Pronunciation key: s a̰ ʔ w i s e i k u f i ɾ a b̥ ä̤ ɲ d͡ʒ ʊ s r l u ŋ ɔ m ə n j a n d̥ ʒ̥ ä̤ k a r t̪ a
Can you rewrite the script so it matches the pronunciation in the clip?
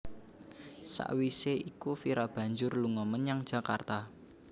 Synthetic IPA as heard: s a̰ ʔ w i s e i k u f i ɾ a b̥ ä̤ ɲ d͡ʒ ʊ r l u ŋ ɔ m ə n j a ŋ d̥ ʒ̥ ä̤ k a r t̪ a

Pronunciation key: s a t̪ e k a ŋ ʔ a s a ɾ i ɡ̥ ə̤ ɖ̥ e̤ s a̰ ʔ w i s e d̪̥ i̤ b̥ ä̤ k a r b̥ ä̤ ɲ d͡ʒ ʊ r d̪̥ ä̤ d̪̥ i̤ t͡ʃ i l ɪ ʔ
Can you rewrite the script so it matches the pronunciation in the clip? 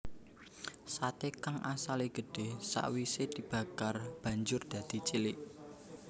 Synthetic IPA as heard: s a t̪ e k a ŋ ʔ a s a l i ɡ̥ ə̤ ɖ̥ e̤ s a̰ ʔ w i s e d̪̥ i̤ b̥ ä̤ k a r b̥ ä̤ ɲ d͡ʒ ʊ r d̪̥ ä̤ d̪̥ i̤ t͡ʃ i l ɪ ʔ

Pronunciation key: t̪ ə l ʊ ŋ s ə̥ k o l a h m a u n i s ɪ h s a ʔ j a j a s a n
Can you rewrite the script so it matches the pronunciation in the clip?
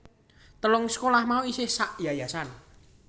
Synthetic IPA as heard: t̪ ə l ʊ ŋ s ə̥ k o l a h m a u i s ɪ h s a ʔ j a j a s a n

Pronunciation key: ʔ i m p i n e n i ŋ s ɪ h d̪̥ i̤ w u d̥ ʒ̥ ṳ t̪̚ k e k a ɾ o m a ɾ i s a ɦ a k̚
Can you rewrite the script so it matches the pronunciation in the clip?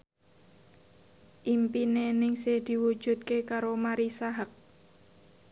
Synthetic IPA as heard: ʔ i m p i n e n ɪ ŋ s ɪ h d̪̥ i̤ w u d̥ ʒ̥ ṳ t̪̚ k e k a ɾ o m a ɾ i s a ɦ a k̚

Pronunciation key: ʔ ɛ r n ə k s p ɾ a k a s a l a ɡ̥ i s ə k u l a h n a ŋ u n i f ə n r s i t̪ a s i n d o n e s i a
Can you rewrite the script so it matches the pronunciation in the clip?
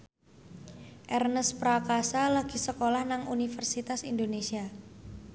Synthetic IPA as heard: ʔ ɛ r n ə s p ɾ a k a s a l a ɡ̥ i s ə k o l a h n a ŋ u n i f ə r s i t̪ a s i n d o n e s i a

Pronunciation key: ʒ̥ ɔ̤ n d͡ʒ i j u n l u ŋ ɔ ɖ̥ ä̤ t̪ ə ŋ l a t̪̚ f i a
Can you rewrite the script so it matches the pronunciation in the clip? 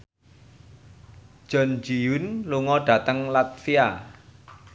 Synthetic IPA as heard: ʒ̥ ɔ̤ n d͡ʒ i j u n l u ŋ ɔ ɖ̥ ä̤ t̪ ə ŋ l a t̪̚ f i a

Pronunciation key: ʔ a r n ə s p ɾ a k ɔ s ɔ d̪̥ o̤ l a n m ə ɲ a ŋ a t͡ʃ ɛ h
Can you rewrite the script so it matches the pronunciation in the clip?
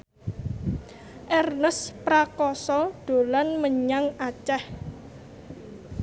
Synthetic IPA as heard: ʔ ɛ r n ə s p ɾ a k ɔ s ɔ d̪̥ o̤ l a n m ə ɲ a ŋ a t͡ʃ ɛ h

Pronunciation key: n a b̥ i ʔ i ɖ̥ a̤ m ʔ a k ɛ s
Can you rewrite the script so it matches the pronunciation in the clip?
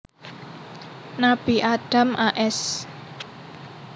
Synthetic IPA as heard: n a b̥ i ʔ a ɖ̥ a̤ m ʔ a ʔ ɛ s

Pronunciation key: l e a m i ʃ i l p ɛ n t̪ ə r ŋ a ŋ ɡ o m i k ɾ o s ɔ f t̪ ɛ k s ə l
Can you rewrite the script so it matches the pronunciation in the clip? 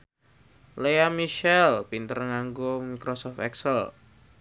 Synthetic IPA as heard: l e a m i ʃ ɛ l p i n t̪ ə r ŋ a ŋ ɡ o m i k ɾ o s ɔ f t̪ ɛ k s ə l

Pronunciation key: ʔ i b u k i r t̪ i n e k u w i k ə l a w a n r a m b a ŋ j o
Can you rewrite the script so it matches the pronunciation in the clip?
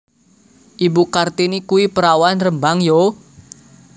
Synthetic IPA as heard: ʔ i b u k a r t̪ i n i k u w i p ə ɾ a w a n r ə m b a ŋ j o

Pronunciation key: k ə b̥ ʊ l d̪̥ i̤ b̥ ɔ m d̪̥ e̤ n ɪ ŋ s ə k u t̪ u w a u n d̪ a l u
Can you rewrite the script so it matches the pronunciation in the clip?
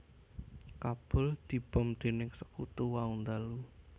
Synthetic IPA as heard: k a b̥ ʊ l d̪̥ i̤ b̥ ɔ m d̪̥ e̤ n ɪ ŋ s ə k u t̪ u w a u n d̪ a l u

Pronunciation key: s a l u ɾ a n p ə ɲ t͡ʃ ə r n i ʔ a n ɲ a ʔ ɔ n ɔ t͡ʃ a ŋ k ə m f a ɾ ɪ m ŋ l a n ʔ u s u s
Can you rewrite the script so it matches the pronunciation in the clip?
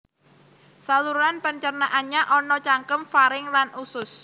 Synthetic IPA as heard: s a l u ɾ a n p ə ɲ t͡ʃ ə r n a ʔ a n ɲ a ʔ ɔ n ɔ t͡ʃ a ŋ k ə m f a ɾ ɪ ŋ l a n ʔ u s ʊ s

